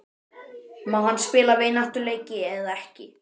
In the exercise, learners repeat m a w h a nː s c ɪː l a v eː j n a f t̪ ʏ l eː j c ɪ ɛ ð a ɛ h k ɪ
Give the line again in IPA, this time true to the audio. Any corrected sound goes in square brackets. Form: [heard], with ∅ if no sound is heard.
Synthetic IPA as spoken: m a w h a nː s [p] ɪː l a v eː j n a [h] t̪ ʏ l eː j c ɪ ɛ ð a ɛ h [c] ɪ

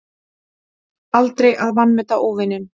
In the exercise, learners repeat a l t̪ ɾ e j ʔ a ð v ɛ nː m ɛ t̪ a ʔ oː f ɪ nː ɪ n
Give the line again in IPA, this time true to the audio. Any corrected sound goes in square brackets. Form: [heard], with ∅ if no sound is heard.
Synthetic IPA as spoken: a l t̪ ɾ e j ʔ a ð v [a] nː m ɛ t̪ a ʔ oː [v] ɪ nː ɪ n

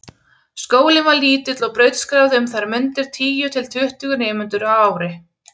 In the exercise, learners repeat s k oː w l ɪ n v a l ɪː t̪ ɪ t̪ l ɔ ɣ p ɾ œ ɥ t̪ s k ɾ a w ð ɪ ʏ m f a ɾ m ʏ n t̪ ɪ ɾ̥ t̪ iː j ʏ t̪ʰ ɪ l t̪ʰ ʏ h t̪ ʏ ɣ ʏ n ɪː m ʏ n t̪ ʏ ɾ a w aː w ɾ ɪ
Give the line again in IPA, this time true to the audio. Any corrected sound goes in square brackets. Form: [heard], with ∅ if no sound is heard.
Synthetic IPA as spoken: s k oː w l ɪ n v a l [iː] t̪ ɪ t̪ l ɔ ɣ p ɾ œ ɥ t̪ s k ɾ a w ð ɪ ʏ m [θ] a ɾ m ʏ n t̪ ɪ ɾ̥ [t̪ʰ] iː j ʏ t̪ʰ ɪ l t̪ʰ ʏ h t̪ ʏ ɣ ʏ n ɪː m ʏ n t̪ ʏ ɾ a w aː w ɾ ɪ

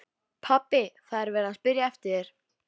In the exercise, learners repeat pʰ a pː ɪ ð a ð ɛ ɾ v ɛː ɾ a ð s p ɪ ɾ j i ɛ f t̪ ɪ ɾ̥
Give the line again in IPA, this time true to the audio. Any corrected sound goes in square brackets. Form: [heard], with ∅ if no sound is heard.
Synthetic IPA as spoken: pʰ a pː ɪ [θ] a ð ɛ ɾ v ɛː ɾ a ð s p ɪ ɾ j [a] ɛ f t̪ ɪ ɾ̥

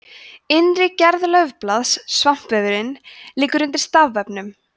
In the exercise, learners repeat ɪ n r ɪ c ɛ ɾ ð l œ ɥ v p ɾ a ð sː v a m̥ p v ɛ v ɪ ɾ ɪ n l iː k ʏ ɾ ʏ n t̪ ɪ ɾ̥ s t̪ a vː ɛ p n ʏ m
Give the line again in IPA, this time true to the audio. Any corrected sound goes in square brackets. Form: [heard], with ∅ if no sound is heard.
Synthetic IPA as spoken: ɪ n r ɪ c ɛ ɾ ð l œ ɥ v p [l] a ð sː v a m̥ p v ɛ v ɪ ɾ ɪ n l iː k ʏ ɾ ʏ n t̪ ɪ ɾ̥ s t̪ a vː ɛ p n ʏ m

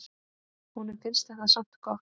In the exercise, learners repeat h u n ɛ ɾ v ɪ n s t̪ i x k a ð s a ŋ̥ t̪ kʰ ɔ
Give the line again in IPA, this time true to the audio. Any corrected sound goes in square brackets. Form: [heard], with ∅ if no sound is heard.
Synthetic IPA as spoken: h u n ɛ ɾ [f] ɪ n s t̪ [ɛ] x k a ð s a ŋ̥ t̪ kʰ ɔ

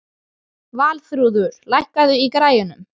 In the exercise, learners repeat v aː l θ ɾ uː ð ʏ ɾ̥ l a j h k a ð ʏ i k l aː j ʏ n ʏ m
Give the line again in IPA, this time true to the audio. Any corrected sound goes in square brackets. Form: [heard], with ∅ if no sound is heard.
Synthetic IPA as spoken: v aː l θ ɾ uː ð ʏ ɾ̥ l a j h k a ð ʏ i k [ɾ] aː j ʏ n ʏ m

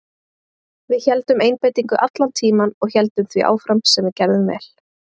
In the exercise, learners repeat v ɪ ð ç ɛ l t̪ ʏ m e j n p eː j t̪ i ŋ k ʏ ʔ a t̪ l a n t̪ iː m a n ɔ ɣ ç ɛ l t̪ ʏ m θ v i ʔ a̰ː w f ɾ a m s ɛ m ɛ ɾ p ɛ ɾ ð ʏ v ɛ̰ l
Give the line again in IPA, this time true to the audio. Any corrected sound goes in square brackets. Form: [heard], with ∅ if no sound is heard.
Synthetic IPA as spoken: v ɪ ð ç ɛ l t̪ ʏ m e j n p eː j t̪ i ŋ k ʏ ʔ a t̪ l a n [t̪ʰ] iː m a n ɔ ɣ ç ɛ l t̪ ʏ m θ v i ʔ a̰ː w f ɾ a m s ɛ m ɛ ɾ [c] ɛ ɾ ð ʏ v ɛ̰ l

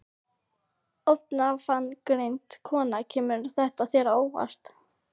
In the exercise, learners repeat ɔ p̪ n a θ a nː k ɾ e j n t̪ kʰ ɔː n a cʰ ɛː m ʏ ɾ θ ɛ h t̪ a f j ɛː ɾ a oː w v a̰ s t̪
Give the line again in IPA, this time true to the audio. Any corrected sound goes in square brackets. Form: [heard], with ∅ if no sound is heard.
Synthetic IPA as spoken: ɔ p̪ n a [f] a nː k ɾ e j n t̪ kʰ ɔː n a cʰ ɛː m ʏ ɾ θ ɛ h t̪ a [θ] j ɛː ɾ a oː w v a̰ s t̪

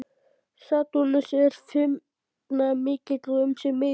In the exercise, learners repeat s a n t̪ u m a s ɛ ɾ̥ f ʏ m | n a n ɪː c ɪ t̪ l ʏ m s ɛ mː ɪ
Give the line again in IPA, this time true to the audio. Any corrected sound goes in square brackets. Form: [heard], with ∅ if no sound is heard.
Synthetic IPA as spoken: s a [∅] t̪ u [n] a s ɛ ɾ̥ f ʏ m | n a [m] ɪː c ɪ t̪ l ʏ m s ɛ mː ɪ

